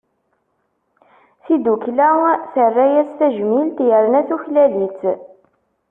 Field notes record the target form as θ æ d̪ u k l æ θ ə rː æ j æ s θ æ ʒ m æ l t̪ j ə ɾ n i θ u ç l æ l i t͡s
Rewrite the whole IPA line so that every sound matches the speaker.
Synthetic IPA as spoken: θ i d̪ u k l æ θ ə rː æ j æ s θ æ ʒ m i l t̪ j ə ɾ n æ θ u ç l æ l i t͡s